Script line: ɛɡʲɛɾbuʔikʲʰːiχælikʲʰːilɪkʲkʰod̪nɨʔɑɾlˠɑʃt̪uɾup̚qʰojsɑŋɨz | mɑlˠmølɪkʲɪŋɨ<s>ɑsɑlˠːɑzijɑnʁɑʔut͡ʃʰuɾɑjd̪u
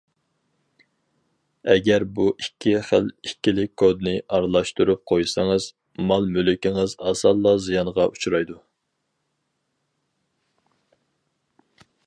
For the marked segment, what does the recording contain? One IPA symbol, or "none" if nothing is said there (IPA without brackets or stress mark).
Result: z